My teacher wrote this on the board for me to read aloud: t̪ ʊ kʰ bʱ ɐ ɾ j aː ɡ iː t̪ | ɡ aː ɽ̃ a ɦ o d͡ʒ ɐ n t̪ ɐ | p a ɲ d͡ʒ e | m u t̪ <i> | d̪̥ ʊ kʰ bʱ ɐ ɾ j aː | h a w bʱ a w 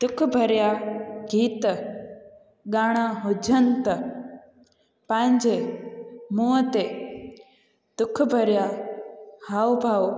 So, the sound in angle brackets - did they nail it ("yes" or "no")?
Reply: no